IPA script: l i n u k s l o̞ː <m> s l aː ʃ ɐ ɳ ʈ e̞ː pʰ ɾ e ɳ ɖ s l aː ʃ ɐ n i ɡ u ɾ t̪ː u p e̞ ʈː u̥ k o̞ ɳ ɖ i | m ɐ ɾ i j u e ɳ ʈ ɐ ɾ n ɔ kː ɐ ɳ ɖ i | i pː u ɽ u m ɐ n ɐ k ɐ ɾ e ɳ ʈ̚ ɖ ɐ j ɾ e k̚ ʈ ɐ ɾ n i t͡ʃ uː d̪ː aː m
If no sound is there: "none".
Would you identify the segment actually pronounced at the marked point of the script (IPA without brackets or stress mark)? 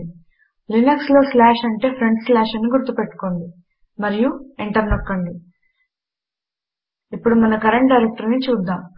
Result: none